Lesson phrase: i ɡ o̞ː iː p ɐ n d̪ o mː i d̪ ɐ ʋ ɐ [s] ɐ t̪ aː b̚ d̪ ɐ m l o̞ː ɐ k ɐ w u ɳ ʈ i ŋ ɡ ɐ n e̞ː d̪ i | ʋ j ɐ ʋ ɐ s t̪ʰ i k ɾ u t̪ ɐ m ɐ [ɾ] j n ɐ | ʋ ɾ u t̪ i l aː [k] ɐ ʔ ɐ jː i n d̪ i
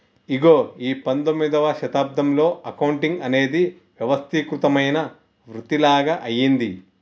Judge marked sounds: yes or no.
no, no, no

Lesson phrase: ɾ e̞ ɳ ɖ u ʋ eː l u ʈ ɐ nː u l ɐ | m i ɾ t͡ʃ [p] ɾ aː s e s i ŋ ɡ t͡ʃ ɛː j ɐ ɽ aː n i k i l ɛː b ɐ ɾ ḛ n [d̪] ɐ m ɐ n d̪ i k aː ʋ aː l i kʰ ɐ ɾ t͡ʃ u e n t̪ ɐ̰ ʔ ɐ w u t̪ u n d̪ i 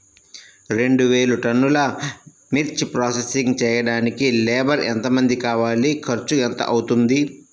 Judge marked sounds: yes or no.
yes, no

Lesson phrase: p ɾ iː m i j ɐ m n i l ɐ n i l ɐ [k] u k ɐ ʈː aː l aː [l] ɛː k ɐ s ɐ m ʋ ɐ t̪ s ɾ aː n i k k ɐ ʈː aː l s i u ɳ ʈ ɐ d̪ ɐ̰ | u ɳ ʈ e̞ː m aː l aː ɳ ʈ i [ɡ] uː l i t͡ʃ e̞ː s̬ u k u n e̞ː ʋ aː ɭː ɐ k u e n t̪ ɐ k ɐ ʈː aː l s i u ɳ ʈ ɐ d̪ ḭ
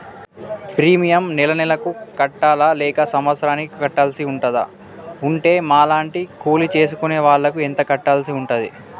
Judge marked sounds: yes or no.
yes, yes, no

